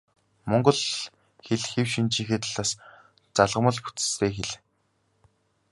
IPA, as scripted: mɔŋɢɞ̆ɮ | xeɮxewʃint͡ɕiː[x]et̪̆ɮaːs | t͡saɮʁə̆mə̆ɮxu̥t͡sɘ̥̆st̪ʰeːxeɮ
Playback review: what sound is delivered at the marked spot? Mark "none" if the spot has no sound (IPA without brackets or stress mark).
x